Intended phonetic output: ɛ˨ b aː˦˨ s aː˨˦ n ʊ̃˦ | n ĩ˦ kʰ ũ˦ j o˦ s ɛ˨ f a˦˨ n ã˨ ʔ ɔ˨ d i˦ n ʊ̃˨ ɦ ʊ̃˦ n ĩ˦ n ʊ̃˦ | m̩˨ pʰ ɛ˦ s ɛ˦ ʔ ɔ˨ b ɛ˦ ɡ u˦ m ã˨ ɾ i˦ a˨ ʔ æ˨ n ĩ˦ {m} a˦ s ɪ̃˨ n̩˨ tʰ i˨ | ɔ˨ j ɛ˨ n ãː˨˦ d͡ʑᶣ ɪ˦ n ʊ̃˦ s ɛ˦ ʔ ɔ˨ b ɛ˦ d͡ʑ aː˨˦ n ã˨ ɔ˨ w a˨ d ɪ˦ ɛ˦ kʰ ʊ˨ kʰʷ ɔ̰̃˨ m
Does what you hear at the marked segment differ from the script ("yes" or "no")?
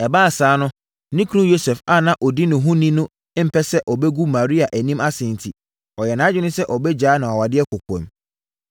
no